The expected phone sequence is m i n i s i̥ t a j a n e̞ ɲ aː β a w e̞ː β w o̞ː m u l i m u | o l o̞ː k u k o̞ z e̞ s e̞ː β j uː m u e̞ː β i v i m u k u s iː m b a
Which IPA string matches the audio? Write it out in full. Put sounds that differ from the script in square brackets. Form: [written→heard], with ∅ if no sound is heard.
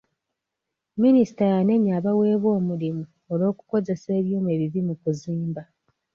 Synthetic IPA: m i n i s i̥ t a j a n e̞ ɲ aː β a w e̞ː β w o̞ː m u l i m u | o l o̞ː k u k o̞ z e̞ s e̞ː β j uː m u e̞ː β i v i m u k u [s→z] iː m b a